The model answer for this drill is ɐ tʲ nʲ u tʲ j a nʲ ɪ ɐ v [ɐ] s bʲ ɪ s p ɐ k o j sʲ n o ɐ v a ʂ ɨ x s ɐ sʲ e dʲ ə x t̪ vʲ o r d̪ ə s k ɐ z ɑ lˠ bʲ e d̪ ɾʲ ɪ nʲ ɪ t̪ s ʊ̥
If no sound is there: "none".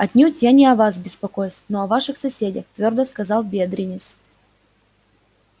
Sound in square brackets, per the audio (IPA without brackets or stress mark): a